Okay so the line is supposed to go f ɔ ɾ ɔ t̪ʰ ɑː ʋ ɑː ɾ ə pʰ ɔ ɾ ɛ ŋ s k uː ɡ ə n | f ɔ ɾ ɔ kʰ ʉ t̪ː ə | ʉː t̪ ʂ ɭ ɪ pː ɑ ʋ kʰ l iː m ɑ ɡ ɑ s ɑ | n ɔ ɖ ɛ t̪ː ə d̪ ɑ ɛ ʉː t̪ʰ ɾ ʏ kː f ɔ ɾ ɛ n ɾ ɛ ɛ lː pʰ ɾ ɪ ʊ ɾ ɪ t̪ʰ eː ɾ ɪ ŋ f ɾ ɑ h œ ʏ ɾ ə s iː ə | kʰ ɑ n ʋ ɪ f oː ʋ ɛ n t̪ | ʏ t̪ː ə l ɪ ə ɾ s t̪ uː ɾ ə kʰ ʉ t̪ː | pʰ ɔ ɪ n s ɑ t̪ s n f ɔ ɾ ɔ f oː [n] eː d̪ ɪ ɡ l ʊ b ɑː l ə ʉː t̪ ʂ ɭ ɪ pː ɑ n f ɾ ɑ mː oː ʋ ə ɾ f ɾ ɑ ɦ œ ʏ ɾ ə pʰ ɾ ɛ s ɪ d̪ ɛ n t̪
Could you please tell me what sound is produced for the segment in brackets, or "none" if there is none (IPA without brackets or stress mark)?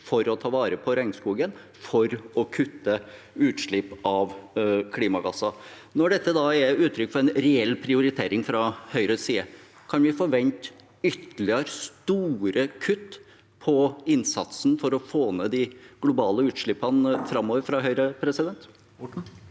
n